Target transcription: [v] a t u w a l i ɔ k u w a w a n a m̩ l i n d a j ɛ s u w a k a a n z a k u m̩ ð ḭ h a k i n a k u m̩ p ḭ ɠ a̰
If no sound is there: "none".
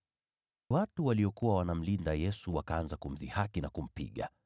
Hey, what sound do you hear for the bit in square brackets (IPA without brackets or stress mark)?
w